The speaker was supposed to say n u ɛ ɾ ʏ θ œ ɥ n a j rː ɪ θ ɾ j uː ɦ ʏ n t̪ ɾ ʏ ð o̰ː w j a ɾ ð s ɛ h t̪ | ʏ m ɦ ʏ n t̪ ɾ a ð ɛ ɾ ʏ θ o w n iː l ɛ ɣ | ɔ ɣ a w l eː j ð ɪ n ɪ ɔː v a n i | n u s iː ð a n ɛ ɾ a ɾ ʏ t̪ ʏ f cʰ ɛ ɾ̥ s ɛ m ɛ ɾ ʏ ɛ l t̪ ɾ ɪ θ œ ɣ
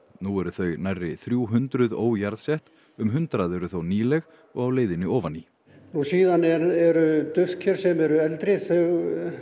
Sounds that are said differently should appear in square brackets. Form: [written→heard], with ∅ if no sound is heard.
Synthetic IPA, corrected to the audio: n u ɛ ɾ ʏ θ œ ɥ n a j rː ɪ θ ɾ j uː ɦ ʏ n t̪ ɾ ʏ ð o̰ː w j a ɾ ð s ɛ h t̪ | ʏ m ɦ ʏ n t̪ ɾ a ð ɛ ɾ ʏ θ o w n iː l ɛ ɣ | ɔ ɣ a w l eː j ð ɪ n ɪ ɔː v a n i | n u s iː ð a n ɛ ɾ [a→ɛ] ɾ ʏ t̪ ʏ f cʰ ɛ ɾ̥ s ɛ m ɛ ɾ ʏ ɛ l t̪ ɾ ɪ θ œ ɣ

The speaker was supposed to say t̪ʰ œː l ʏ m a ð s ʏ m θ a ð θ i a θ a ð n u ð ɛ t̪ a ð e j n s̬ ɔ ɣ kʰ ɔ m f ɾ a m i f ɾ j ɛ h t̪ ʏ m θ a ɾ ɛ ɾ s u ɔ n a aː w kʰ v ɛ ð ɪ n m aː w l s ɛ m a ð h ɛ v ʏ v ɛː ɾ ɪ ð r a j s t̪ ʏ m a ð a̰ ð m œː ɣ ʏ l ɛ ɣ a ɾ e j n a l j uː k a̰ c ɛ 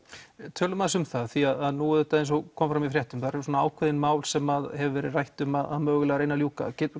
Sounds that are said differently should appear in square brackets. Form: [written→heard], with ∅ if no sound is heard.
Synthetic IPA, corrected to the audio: t̪ʰ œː l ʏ m a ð s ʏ m θ a ð θ i a [θ→ð] a ð n u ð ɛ t̪ a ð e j n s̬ ɔ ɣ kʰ ɔ m f ɾ a m i f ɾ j ɛ h t̪ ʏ m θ a ɾ ɛ ɾ s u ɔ n a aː w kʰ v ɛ ð ɪ n m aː w l s ɛ m a ð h ɛ v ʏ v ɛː ɾ ɪ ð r a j [s→h] t̪ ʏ m a ð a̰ ð m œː ɣ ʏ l ɛ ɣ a ɾ e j n a l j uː k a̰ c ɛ

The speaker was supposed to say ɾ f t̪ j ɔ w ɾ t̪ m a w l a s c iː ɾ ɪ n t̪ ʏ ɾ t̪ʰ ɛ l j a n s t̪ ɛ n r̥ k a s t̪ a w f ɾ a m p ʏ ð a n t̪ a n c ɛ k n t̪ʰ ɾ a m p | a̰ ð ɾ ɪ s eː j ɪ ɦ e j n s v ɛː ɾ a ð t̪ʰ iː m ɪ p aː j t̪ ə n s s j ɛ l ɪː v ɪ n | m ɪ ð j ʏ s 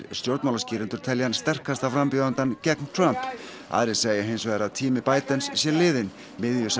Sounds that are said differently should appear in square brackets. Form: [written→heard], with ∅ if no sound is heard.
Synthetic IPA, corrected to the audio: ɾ [f→s] t̪ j [ɔ→o] w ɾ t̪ m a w l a s c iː ɾ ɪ n t̪ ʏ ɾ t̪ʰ ɛ l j a n s t̪ ɛ [n→∅] r̥ k a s t̪ a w f ɾ a m p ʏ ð a n t̪ a n c ɛ k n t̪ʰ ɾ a m p | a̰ ð ɾ ɪ s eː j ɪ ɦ e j n s v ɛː ɾ a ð t̪ʰ iː m ɪ p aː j t̪ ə n s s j ɛ l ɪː [v→ð] ɪ n | m ɪ ð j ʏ s

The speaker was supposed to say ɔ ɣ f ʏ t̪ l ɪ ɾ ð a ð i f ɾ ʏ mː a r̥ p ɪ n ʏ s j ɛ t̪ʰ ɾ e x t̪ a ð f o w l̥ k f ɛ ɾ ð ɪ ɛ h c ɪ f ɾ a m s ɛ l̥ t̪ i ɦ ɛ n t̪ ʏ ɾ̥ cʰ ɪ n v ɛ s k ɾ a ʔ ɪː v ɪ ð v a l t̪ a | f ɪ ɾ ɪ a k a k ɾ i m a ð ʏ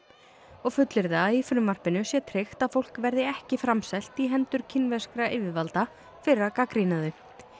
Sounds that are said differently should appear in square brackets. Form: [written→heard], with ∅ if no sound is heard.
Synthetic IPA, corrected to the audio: ɔ ɣ f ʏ t̪ l ɪ ɾ ð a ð i f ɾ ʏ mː a r̥ p ɪ n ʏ s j ɛ t̪ʰ ɾ e x t̪ a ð f o w l̥ k [f→v] ɛ ɾ ð ɪ ɛ h c ɪ f ɾ a m s ɛ l̥ t̪ i ɦ ɛ n t̪ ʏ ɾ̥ cʰ ɪ n v ɛ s k ɾ a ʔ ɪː v ɪ ð v a l t̪ a | f ɪ ɾ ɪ a k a k ɾ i [m→n] a ð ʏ

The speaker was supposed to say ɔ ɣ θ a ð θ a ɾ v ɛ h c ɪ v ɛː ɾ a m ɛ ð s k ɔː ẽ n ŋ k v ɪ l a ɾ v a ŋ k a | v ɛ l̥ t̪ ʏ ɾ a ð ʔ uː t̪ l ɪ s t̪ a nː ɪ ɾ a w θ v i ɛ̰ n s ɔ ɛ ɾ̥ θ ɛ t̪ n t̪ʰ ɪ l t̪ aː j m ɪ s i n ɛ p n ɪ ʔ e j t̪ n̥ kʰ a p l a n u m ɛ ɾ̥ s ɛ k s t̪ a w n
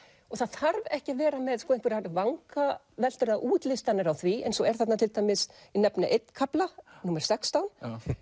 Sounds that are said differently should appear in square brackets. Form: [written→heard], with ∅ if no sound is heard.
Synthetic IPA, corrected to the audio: ɔ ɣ θ a ð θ a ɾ v ɛ h c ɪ v ɛː ɾ a m ɛ ð s k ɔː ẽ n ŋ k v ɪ [l→ɾ] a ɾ v a ŋ k a | v ɛ l̥ t̪ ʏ ɾ a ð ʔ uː t̪ l ɪ s t̪ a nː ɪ ɾ a w θ v i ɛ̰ n s ɔ ɛ ɾ̥ θ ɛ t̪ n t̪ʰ ɪ l t̪ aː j m ɪ s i n ɛ p n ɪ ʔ e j t̪ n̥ kʰ a p l a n u m ɛ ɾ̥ s ɛ k s t̪ a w n

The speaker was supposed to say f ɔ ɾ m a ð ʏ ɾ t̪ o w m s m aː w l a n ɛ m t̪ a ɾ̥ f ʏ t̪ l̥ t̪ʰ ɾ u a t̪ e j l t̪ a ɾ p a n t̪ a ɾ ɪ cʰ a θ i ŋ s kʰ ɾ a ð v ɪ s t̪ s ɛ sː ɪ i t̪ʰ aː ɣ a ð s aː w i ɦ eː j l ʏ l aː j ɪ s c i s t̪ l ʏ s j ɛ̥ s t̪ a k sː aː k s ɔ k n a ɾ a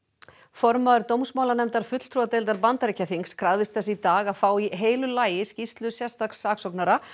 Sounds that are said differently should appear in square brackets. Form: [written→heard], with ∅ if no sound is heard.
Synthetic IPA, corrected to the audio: f ɔ ɾ m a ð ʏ ɾ t̪ o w m s m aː w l a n ɛ m t̪ a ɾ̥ f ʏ t̪ l̥ t̪ʰ ɾ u a t̪ e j l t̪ a ɾ p a n t̪ a ɾ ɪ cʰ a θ i ŋ s kʰ ɾ a ð v ɪ s t̪ [s→θ] ɛ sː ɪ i [t̪ʰ→t̪] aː ɣ a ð [s→f] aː w i ɦ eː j l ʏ l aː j ɪ s c i s t̪ l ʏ s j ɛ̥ s t̪ a k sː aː k s ɔ k n a ɾ a

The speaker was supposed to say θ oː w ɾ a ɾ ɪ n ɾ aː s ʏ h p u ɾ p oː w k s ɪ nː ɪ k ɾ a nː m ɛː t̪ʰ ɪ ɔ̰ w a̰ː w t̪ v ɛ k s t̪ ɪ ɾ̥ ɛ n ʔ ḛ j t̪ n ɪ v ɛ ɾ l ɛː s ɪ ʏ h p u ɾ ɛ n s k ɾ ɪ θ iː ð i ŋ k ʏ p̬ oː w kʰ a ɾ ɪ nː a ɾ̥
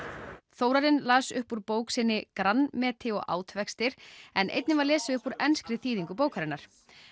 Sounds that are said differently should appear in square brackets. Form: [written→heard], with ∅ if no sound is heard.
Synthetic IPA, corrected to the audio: θ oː w ɾ a ɾ ɪ n [ɾ→l] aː s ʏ h p u ɾ p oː w k s ɪ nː ɪ k ɾ a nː m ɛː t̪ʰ ɪ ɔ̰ [w→ɣ] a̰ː w t̪ v ɛ k s t̪ ɪ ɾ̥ ɛ n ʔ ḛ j t̪ n ɪ v [ɛ→a] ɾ l ɛː s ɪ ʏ h p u ɾ ɛ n s k ɾ ɪ θ iː ð i ŋ k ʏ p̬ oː w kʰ a ɾ ɪ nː a ɾ̥

